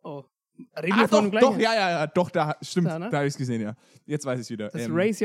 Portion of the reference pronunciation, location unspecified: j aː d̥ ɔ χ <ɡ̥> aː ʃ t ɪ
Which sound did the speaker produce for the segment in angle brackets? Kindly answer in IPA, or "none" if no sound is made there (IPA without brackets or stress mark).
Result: d̥